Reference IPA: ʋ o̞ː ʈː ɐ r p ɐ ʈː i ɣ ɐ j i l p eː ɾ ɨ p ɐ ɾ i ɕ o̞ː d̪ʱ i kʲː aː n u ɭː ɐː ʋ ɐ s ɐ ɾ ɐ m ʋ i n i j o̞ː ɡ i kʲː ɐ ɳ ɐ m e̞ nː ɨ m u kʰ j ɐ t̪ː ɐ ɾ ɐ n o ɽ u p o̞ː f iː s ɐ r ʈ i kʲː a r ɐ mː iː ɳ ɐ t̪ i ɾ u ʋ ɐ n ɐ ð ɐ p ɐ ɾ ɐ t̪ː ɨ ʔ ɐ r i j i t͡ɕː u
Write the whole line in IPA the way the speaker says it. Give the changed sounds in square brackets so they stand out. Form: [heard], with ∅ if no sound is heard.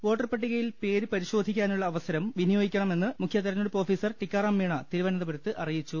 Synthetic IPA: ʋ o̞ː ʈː ɐ r p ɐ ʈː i ɣ ɐ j i l p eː ɾ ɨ p ɐ ɾ i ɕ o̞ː d̪ʱ i kʲː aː n u ɭː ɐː ʋ ɐ s ɐ ɾ ɐ m ʋ i n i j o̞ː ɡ i kʲː ɐ ɳ ɐ m e̞ nː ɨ m u kʰ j ɐ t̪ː ɐ ɾ ɐ n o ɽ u p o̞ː f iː s ɐ r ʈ i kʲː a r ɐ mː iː ɳ ɐ t̪ i ɾ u ʋ ɐ n ɐ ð ɐ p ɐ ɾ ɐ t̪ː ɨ ʔ ɐ r i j i t͡ɕː u